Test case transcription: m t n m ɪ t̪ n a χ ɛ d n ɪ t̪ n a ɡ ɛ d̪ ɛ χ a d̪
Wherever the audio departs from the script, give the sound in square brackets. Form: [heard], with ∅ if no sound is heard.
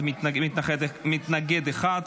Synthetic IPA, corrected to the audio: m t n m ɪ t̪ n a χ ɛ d [m] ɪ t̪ n a ɡ ɛ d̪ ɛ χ a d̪

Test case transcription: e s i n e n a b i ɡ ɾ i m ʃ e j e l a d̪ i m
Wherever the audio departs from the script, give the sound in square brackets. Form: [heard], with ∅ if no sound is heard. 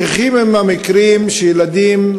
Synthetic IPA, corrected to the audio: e [χ] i [m] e [m] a [m] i [k] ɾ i m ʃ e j e l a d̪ i m

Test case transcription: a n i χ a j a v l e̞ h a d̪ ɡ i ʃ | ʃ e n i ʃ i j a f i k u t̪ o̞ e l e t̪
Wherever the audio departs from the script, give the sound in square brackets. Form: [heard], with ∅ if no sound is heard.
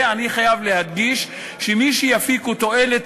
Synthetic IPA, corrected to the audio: a n i χ a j a v l e̞ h a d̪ ɡ i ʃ | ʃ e [m] i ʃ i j a f i k u t̪ o̞ e l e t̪

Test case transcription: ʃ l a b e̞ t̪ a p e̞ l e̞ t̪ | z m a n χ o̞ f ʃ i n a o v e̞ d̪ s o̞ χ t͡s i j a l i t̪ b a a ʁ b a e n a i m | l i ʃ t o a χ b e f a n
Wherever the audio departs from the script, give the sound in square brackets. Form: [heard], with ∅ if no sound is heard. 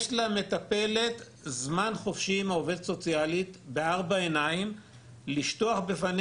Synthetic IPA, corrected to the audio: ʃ l a [m] e̞ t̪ a p e̞ l e̞ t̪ | z m a n χ o̞ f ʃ i [m] a o v e̞ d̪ s o̞ [∅] t͡s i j a l i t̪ b [e] a ʁ b a e n a i m | l i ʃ t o a χ b e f a n

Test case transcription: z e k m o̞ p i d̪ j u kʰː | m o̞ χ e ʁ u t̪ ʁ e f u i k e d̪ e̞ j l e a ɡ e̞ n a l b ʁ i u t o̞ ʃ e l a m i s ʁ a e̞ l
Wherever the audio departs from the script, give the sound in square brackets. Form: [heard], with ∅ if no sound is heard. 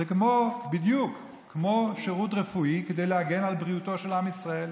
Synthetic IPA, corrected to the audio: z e k m o̞ [b] i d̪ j u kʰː | m o̞ [ʃ] e ʁ u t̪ ʁ e f u i k e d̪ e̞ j l e a ɡ e̞ n a l b ʁ i u t o̞ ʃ e l a m i s ʁ a e̞ l

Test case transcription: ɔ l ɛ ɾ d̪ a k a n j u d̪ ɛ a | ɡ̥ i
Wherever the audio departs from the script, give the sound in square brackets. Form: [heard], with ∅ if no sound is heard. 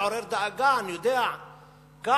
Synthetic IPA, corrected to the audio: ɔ [ɾ] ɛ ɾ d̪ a [ɡ] a n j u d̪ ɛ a | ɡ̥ [a]

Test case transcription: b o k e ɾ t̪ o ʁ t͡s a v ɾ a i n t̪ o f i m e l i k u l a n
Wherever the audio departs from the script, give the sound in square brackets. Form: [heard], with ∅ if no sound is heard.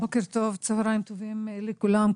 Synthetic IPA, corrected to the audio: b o k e ɾ t̪ o [v] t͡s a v ɾ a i [m] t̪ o [v] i m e l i k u l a [m]

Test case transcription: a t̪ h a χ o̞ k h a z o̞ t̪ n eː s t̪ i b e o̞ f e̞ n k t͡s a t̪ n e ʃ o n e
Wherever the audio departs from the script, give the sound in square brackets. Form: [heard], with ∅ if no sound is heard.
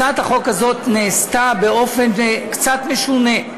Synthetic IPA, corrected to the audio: a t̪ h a χ o̞ k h a z o̞ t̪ n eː s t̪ [a] b e o̞ f e̞ n k t͡s a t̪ [m] e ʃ [u] n e

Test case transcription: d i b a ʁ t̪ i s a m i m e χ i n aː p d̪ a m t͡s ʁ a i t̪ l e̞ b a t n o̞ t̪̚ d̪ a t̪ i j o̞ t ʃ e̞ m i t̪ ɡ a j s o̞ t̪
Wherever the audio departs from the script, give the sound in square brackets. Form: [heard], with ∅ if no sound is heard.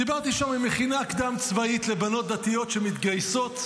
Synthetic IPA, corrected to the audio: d i b a ʁ t̪ i [ʃ] a m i m e χ i n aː [k] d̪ a m t͡s [v] a i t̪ l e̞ b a [∅] n o̞ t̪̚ d̪ a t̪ i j o̞ t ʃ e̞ m i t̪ ɡ a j s o̞ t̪

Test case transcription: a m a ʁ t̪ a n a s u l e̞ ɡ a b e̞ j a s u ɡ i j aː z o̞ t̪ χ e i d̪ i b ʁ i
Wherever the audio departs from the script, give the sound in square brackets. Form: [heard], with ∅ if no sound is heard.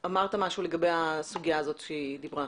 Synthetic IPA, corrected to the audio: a m a ʁ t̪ a [m] a [ʃ] u l e̞ ɡ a b e̞ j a s u ɡ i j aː z o̞ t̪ [ʃ] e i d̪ i b ʁ [a]

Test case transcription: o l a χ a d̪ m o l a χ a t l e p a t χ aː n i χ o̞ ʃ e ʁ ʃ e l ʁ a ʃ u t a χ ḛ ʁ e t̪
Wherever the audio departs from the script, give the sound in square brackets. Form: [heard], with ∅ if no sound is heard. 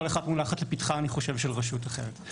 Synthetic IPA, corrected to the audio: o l [e] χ a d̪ m [u] l a χ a t l e p [i] t χ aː n i χ o̞ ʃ e [v] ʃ e l ʁ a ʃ u t a χ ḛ ʁ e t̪

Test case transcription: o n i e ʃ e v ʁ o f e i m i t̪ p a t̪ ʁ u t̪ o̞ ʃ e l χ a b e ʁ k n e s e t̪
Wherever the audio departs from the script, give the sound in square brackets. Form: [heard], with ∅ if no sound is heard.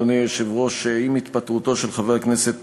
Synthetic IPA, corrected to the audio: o n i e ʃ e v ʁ o [ʃ] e i m i t̪ p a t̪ ʁ u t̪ o̞ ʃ e l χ a [v] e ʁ k n e s e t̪

